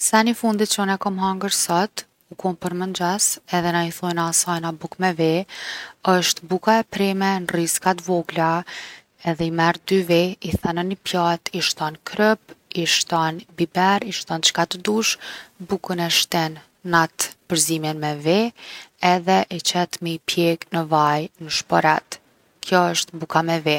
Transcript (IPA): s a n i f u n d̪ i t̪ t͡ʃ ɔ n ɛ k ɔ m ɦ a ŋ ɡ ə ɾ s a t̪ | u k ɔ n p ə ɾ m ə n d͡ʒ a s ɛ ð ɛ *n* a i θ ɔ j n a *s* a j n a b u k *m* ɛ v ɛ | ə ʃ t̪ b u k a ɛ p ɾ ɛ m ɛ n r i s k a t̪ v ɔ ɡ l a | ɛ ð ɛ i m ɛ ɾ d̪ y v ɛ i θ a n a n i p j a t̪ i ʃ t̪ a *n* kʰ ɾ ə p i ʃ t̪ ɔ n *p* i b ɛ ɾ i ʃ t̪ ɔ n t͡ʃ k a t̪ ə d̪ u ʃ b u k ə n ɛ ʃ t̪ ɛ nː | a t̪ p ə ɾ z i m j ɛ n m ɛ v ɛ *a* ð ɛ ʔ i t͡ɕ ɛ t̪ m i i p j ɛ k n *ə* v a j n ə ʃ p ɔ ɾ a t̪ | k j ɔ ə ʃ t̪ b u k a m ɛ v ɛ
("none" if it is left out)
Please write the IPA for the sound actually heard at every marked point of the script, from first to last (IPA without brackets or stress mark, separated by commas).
n, s, m, n, b, ɛ, ə